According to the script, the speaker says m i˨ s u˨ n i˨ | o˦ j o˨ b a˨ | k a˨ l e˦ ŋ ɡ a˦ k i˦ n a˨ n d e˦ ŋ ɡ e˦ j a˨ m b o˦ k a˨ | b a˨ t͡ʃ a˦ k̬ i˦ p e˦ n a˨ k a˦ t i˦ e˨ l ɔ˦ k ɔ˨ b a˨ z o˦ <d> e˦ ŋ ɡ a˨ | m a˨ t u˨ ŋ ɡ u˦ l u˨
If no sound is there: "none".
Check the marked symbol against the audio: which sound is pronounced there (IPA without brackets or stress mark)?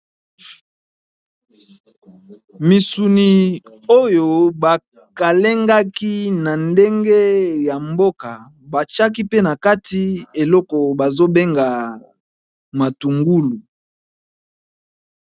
b